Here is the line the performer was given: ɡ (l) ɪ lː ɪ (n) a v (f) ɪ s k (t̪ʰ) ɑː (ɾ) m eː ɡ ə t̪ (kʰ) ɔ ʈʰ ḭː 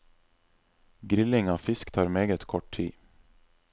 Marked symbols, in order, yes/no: no, no, yes, yes, yes, yes

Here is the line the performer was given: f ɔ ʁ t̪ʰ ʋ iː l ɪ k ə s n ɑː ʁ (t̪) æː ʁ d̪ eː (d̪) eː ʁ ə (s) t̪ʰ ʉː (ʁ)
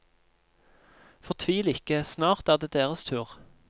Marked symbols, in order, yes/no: yes, yes, yes, yes

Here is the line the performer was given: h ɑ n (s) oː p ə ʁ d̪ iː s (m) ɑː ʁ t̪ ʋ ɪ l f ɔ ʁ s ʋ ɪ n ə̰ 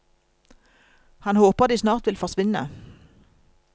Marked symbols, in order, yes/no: no, no

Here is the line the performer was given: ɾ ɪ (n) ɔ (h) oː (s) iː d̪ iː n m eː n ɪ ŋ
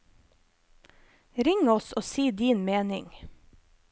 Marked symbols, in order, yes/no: no, no, yes

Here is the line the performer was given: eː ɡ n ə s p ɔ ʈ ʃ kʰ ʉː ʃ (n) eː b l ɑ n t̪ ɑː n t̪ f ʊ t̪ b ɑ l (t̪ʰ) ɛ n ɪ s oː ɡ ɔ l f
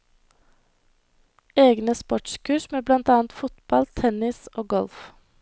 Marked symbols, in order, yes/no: no, yes

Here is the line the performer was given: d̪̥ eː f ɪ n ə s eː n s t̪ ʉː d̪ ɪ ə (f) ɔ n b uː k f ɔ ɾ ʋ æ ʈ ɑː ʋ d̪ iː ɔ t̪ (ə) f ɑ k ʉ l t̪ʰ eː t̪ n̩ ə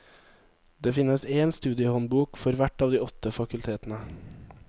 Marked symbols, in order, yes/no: no, yes

